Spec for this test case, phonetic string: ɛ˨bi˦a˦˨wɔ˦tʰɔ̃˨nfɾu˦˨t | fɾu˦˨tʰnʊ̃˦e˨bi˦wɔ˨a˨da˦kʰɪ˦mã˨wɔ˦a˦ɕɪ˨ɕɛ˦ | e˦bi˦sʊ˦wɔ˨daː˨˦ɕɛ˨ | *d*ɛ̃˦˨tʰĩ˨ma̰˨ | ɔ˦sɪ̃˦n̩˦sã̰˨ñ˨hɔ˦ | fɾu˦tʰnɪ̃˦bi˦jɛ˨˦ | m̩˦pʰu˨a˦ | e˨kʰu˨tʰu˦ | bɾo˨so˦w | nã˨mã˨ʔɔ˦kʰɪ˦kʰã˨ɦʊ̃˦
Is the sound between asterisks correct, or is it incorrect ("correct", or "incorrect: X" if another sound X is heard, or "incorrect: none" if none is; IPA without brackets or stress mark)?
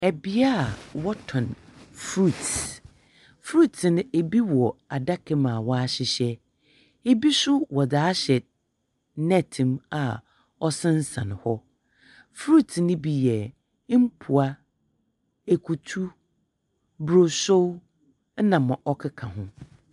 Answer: incorrect: n